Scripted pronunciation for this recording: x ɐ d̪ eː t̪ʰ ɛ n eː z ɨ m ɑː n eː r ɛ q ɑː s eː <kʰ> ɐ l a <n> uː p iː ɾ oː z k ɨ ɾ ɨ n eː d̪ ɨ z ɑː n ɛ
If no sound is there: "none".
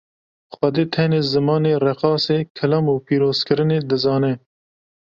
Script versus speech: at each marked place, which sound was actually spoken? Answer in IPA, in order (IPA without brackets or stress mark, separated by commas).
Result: kʰ, m